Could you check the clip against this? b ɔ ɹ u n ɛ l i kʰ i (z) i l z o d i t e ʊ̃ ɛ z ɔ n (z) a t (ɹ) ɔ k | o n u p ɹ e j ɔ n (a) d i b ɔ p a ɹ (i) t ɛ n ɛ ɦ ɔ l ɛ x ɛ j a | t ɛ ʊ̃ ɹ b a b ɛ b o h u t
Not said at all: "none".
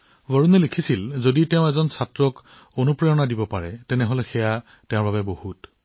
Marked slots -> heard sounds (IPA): s, s, ɹ, a, ɛ

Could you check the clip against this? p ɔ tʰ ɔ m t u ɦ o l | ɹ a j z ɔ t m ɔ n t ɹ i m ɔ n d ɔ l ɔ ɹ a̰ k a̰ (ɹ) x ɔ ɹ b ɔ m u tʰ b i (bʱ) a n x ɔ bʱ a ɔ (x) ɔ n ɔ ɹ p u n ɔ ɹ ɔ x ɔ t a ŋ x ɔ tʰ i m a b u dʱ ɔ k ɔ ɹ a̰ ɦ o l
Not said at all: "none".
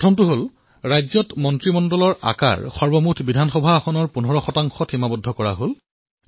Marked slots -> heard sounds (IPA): ɹ, dʱ, x

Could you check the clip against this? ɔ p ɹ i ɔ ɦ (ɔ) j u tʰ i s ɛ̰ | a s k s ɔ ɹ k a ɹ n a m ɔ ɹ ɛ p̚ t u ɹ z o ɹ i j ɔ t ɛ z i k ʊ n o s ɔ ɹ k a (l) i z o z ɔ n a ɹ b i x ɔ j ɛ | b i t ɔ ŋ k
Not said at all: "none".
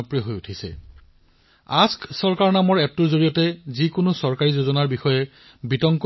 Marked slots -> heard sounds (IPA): o, ɹ

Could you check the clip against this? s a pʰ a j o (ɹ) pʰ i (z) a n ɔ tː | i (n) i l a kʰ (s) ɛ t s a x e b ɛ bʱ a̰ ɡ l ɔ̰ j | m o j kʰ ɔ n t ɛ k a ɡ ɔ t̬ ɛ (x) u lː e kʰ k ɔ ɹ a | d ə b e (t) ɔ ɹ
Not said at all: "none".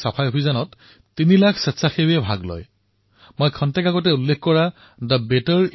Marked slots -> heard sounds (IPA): none, z, n, s, none, t

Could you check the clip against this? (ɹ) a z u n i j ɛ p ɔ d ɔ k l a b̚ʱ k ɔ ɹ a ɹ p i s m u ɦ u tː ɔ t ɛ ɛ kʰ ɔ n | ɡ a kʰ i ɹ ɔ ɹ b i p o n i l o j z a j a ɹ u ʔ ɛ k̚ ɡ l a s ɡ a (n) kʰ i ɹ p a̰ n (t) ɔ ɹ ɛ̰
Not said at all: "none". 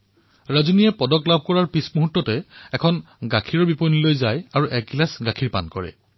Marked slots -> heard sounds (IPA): ɹ, none, k

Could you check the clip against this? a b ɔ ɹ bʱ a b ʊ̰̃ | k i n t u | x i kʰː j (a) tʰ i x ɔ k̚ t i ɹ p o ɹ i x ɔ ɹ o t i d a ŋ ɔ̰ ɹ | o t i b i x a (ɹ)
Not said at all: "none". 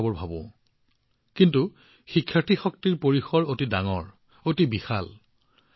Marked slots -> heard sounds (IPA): a, l

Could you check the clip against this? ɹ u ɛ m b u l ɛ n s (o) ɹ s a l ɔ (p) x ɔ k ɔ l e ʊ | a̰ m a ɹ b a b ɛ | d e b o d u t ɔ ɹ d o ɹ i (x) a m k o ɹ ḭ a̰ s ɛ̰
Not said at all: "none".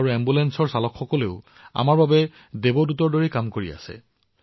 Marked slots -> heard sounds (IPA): ɔ, k, k

